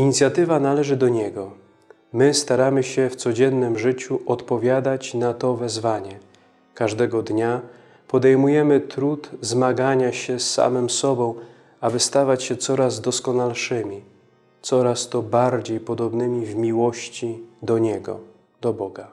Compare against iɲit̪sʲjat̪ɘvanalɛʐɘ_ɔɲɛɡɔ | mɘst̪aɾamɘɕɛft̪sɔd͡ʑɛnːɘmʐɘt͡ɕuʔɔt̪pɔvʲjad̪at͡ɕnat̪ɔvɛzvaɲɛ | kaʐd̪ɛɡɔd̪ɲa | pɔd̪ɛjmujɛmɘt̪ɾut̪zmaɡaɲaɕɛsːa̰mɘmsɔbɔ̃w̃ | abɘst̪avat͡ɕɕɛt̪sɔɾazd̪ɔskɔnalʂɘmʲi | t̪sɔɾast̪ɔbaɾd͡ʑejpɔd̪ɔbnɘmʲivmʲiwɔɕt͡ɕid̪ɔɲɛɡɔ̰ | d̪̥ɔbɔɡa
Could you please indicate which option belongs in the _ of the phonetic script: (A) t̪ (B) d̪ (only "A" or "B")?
B